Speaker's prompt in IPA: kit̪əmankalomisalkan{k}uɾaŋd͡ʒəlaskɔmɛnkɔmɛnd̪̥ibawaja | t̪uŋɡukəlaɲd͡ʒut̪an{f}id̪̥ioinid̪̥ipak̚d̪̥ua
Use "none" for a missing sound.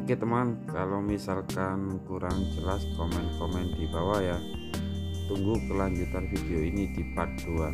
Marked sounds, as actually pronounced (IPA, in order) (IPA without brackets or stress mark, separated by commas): k, f